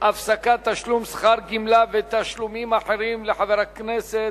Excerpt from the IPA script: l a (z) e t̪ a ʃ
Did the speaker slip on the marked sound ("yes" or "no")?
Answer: yes